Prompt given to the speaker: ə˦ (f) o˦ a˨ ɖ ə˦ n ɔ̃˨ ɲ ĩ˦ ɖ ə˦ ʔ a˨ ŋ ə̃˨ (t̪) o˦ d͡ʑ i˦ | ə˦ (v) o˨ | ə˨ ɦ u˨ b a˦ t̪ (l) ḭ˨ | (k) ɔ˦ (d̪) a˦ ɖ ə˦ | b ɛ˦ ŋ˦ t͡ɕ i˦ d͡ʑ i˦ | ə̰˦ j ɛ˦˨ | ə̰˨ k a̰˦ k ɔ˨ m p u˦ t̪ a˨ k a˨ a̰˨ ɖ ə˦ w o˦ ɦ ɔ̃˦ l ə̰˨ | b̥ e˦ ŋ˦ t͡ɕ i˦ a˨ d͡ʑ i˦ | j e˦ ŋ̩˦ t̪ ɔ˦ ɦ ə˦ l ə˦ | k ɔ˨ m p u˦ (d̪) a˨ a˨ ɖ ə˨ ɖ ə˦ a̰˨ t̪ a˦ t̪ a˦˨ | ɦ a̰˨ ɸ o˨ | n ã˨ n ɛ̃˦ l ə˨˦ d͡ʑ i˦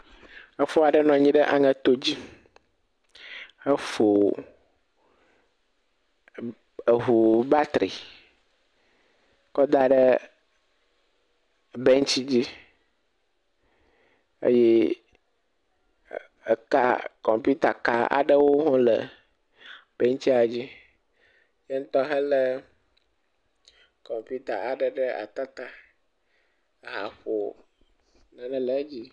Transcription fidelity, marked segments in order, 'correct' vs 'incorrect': correct, correct, incorrect: f, incorrect: ɾ, correct, correct, incorrect: t̪

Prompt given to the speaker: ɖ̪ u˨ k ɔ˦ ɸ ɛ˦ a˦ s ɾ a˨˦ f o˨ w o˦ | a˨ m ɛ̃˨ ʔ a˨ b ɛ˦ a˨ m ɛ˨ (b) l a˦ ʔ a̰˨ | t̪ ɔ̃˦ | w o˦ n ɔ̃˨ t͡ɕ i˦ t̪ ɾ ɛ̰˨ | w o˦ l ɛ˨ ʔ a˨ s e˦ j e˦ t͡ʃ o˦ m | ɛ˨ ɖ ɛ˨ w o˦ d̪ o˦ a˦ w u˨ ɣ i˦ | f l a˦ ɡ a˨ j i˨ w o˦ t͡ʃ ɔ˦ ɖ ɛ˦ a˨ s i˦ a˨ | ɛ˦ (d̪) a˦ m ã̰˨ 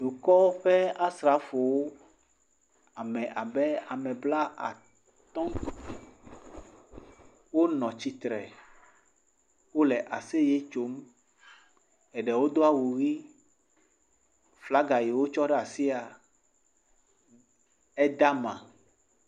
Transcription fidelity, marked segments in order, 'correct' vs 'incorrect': correct, correct

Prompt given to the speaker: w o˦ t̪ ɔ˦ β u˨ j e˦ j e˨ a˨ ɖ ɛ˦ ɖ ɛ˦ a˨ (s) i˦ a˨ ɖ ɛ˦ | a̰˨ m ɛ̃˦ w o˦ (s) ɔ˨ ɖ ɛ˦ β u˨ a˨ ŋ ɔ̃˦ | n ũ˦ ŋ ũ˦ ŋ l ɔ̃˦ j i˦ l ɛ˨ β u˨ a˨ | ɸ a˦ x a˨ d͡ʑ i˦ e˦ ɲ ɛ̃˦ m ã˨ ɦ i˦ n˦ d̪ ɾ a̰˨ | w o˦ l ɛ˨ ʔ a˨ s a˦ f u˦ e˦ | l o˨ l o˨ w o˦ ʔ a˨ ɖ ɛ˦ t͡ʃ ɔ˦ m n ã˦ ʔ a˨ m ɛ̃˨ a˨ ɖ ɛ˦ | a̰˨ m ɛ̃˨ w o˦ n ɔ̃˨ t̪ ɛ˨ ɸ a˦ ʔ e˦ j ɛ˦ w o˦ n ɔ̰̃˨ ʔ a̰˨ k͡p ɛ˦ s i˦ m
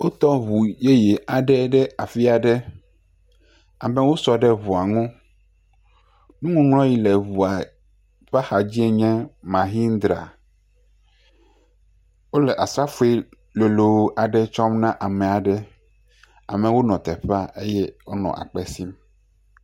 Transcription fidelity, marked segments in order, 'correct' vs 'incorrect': incorrect: f, correct

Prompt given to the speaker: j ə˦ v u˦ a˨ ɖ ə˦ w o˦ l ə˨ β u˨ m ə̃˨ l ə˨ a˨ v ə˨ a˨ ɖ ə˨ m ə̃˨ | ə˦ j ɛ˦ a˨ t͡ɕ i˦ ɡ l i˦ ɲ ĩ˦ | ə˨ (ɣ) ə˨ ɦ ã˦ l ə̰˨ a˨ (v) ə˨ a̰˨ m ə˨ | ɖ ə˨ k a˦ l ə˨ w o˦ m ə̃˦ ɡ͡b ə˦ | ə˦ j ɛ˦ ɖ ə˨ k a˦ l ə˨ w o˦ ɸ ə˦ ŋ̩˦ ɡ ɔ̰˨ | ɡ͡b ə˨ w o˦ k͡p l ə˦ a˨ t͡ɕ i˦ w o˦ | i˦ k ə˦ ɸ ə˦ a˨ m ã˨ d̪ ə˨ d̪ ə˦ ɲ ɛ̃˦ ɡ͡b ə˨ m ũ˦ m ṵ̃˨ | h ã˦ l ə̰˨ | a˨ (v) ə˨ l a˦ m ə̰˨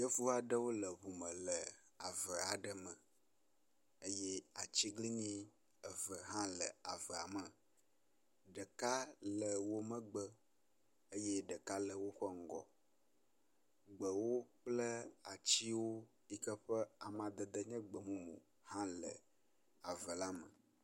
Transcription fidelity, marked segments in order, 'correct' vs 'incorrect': incorrect: v, correct, correct

